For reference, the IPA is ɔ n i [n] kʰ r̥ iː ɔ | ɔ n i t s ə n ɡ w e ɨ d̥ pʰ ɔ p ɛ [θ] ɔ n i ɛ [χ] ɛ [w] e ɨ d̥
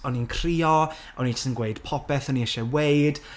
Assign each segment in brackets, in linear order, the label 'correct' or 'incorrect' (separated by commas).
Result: correct, correct, incorrect, correct